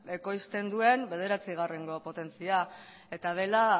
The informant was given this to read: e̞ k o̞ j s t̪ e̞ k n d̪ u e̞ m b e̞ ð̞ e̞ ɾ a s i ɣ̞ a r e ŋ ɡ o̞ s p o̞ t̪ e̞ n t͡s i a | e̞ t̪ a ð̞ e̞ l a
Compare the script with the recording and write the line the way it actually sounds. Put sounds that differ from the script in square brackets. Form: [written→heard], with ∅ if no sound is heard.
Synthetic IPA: e̞ k o̞ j s t̪ e̞ [k→∅] n d̪ u e̞ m b e̞ ð̞ e̞ ɾ a [s→t͡s] i ɣ̞ a r e ŋ ɡ o̞ [s→∅] p o̞ t̪ e̞ n t͡s i a | e̞ t̪ a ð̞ e̞ l a